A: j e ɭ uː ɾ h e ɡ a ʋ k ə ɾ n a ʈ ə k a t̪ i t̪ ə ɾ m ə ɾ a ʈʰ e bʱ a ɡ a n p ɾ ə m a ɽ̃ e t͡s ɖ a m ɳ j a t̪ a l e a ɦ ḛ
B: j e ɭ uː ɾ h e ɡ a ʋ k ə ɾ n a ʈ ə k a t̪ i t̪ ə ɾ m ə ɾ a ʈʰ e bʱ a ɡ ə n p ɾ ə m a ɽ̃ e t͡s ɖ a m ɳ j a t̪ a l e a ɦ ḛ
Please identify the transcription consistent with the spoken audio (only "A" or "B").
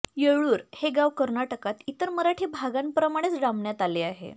A